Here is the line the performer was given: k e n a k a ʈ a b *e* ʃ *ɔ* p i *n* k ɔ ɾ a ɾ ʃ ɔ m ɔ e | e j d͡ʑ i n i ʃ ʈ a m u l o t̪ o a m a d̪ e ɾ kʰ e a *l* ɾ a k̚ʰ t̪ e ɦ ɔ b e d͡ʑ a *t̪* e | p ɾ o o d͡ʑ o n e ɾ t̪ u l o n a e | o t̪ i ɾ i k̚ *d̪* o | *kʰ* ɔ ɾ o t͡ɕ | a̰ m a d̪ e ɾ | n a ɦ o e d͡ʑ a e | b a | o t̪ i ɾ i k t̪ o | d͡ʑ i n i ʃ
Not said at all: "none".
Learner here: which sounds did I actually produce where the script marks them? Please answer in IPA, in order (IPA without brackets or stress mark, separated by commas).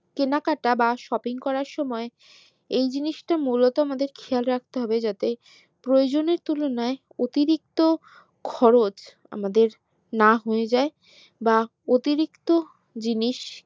a, ɔ, ŋ, l, t̪, t̪, kʰ